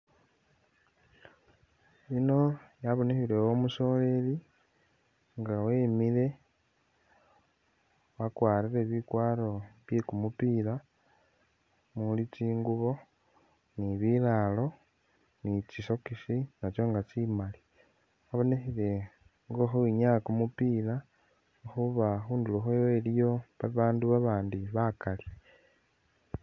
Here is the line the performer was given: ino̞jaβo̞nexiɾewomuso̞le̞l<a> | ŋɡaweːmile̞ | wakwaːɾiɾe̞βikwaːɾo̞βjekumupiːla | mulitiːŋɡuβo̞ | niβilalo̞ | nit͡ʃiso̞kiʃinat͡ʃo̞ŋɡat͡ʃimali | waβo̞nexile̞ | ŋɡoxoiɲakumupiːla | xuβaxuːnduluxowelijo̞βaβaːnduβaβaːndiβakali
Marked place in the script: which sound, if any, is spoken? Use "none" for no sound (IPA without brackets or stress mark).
i